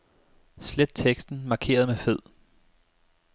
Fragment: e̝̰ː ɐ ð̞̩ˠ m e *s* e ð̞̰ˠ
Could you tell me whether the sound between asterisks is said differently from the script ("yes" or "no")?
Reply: yes